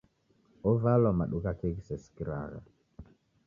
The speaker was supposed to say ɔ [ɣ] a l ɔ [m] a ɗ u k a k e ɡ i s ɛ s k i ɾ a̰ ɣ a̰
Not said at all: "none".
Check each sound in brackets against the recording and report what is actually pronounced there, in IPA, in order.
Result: v, m

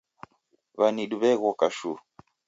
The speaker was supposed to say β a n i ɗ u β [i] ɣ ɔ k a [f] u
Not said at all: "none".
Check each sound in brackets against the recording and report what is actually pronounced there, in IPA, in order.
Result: ɛ, ʃ

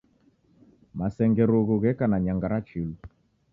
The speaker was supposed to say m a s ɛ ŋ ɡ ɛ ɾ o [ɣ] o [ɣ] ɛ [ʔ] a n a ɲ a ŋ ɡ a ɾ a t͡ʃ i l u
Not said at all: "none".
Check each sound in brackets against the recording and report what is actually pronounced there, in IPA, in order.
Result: ɣ, ɣ, k

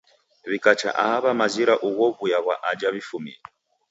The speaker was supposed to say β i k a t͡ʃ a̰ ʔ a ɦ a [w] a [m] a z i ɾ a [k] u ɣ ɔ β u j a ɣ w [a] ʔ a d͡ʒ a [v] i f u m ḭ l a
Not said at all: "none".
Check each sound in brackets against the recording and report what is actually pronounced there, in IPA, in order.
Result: β, m, ʔ, a, β

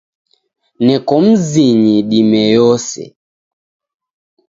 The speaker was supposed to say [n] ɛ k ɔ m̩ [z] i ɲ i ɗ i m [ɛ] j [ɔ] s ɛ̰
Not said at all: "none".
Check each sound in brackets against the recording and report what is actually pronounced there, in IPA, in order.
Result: n, z, ɛ, ɔ

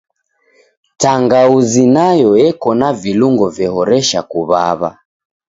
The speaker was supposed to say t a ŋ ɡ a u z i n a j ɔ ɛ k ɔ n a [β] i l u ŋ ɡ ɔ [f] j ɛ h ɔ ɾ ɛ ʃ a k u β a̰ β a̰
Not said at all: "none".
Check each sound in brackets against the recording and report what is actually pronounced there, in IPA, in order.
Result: v, v

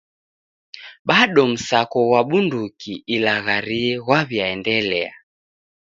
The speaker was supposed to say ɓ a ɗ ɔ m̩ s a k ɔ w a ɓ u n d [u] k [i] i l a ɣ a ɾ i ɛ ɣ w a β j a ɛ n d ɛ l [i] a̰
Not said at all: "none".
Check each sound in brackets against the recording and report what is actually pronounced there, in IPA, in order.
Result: u, i, ɛ

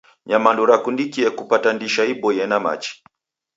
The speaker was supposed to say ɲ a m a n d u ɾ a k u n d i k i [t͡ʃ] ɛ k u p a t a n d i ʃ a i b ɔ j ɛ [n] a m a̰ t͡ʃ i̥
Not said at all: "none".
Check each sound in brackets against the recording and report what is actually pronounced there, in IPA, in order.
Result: none, n

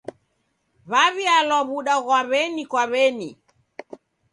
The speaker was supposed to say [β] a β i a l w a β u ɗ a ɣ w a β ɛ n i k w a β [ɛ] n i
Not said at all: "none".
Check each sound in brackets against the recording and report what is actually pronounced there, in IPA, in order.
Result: β, ɛ

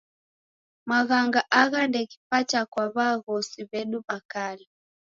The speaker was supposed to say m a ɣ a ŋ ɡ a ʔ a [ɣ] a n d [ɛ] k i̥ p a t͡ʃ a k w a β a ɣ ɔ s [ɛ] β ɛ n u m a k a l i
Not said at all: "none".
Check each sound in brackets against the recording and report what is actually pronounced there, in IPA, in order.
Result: ɣ, ɛ, i

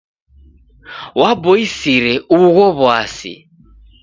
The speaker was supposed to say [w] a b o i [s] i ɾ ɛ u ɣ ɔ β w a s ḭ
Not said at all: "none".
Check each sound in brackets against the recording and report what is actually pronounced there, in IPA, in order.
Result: w, s

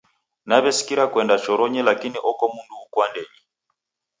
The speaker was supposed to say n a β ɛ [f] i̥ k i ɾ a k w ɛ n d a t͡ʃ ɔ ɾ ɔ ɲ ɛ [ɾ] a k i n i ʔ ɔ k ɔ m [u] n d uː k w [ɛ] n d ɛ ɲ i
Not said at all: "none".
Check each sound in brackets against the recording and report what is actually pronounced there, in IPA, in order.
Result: s, l, u, a

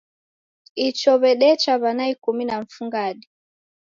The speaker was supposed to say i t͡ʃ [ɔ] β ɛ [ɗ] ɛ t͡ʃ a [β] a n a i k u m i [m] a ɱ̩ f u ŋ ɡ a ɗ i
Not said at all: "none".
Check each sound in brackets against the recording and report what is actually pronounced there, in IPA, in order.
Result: ɔ, ɗ, β, n

